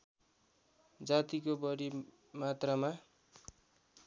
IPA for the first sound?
d͡z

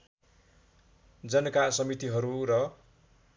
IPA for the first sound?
d͡z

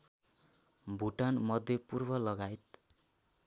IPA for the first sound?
bʱ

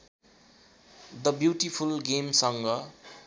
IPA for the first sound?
d̪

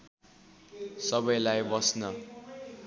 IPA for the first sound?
s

